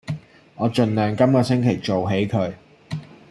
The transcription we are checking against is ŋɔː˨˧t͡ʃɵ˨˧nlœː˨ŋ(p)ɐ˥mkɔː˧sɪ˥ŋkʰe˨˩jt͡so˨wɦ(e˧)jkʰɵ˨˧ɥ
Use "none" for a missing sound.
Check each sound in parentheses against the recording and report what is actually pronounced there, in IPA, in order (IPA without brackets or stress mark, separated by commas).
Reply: k, e˨˥